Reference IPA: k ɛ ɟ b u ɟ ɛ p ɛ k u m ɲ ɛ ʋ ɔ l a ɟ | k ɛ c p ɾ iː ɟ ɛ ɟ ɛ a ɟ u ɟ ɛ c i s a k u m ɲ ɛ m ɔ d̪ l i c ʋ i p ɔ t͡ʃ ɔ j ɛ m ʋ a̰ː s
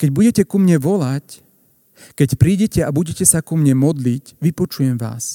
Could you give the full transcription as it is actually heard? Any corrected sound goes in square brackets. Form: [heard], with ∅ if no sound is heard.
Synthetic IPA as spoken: k ɛ ɟ b u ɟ ɛ [c] ɛ k u m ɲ ɛ ʋ ɔ l a [c] | k ɛ c p ɾ iː ɟ ɛ [c] ɛ a [b] u ɟ ɛ c [ɛ] s a k u m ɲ ɛ m ɔ d̪ l i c ʋ i p ɔ t͡ʃ [u] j ɛ m ʋ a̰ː s